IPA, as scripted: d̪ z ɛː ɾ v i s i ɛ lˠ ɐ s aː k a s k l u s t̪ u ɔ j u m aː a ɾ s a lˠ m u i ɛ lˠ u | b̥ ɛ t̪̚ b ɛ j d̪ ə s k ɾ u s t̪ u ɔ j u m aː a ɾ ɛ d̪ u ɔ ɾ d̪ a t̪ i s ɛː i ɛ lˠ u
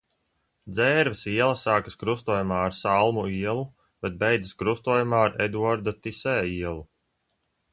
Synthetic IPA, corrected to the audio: d̪ z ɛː ɾ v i s i ɛ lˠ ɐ s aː k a s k ɾ u s t̪ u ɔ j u m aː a ɾ s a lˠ m u i ɛ lˠ u | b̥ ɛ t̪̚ b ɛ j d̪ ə s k ɾ u s t̪ u ɔ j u m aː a ɾ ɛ d̪ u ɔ ɾ d̪ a t̪ i s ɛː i ɛ lˠ u